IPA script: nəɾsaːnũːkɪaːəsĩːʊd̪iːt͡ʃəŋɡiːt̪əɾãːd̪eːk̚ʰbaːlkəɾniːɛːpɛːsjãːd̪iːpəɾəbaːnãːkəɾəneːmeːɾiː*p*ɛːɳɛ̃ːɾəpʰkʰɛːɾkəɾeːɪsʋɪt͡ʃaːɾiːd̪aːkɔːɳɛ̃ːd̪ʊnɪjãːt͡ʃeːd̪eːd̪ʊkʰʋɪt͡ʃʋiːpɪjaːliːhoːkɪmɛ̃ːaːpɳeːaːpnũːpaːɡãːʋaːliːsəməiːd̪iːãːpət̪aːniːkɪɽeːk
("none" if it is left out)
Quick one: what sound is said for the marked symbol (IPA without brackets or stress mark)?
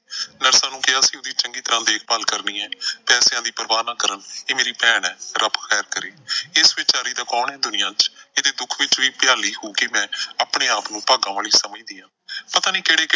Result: p